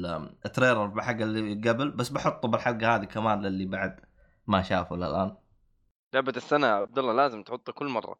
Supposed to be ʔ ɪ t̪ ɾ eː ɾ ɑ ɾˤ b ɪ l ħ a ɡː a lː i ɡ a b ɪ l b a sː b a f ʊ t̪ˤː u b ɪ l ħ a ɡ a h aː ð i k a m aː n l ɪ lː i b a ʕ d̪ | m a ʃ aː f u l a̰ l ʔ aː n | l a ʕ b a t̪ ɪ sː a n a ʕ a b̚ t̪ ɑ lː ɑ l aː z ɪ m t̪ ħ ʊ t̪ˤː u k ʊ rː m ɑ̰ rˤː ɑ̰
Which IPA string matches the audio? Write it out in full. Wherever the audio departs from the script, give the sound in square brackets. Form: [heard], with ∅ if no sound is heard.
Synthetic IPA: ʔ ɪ t̪ ɾ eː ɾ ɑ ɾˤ b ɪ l ħ a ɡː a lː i ɡ a b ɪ l b a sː b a [ħ] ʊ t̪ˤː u b ɪ l ħ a ɡ a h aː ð i k a m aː n l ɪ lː i b a ʕ d̪ | m a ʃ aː f u l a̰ l ʔ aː n | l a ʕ b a t̪ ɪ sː a n a ʕ a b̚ [d̪] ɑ lː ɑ l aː z ɪ m t̪ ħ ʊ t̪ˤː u k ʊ [lː] m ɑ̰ rˤː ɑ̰